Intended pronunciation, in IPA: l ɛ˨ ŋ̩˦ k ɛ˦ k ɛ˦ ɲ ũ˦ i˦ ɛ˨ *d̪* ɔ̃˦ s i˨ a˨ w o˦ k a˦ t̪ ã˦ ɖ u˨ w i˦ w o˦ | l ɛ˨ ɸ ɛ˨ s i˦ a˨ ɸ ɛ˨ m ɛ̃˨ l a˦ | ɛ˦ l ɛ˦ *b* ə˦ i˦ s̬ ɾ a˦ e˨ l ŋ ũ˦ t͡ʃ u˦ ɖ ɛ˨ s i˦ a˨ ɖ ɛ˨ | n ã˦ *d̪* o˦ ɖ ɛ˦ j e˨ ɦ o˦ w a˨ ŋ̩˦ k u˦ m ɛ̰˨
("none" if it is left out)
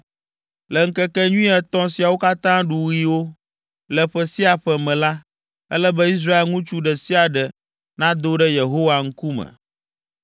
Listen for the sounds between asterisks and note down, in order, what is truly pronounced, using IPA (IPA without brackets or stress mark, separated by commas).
t̪, b, d̪